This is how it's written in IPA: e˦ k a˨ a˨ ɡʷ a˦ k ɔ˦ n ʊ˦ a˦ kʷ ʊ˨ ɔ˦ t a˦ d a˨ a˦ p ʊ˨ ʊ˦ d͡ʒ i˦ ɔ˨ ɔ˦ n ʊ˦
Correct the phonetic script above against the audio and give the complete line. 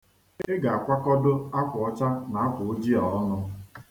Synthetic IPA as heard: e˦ ɡ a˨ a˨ kʷ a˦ k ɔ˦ d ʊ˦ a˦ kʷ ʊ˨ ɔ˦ t͡ʃ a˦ n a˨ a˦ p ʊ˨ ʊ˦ d͡ʒ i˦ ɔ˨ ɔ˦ n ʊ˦